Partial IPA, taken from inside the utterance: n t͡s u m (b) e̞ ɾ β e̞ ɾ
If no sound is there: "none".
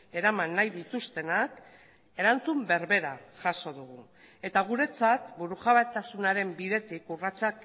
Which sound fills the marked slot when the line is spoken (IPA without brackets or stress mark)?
b